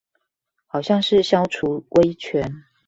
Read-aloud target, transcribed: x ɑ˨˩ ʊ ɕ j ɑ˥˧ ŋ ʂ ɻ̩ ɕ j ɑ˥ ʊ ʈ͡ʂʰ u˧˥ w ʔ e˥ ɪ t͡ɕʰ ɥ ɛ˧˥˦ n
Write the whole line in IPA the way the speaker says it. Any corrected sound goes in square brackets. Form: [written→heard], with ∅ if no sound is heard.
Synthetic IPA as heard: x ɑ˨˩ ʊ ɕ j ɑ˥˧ ŋ ʂ ɻ̩ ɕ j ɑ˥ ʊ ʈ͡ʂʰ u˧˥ w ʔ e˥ ɪ t͡ɕʰ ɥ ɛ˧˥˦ n